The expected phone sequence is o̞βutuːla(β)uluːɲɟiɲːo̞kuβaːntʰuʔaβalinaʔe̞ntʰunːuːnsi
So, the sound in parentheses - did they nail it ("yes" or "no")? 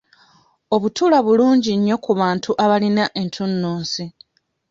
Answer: yes